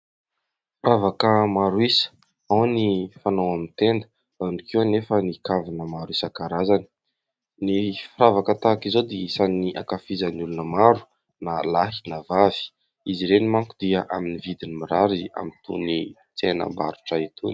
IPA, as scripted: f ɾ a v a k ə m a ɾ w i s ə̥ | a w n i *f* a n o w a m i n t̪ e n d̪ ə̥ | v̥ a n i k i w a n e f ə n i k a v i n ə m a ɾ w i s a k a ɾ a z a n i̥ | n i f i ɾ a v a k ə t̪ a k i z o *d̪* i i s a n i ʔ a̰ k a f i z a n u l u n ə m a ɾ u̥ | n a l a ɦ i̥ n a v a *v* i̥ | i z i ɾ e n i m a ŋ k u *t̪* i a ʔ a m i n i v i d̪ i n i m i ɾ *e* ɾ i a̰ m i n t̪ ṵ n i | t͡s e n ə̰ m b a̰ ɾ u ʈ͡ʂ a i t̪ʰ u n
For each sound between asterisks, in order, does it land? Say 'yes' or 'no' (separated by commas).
yes, yes, yes, no, no